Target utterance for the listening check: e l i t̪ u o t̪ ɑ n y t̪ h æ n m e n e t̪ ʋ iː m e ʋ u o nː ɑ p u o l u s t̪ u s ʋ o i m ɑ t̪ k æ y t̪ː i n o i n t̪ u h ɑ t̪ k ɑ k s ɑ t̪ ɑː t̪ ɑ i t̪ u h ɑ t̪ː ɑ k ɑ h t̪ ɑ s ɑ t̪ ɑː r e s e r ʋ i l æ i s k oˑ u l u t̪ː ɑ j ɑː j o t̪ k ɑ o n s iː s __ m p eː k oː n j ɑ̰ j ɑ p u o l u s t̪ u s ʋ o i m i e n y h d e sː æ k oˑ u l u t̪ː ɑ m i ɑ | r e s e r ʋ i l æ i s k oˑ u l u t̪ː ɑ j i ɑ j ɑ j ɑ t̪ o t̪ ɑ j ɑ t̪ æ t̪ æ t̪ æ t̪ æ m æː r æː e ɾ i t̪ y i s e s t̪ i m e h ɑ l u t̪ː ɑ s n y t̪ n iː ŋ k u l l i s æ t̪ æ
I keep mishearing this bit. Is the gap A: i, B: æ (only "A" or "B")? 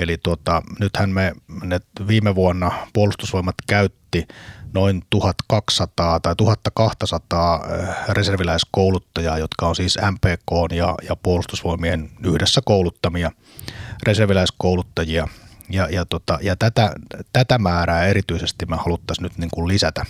B